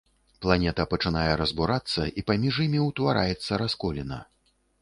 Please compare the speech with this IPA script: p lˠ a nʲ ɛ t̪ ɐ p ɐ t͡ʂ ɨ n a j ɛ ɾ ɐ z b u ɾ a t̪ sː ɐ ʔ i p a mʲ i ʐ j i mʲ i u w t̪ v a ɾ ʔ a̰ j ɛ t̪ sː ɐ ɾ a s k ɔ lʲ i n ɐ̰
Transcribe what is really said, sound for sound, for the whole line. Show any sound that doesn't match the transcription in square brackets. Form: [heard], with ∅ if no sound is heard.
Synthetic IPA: p lˠ a nʲ ɛ t̪ ɐ p ɐ t͡ʂ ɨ n a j ɛ ɾ ɐ z b u ɾ a t̪ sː ɐ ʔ i p a mʲ i ʐ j i mʲ i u w t̪ v a ɾ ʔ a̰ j ɛ t̪ sː ɐ ɾ a s k ɔ lʲ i n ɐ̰